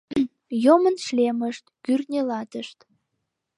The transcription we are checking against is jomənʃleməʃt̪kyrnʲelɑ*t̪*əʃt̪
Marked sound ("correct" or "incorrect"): correct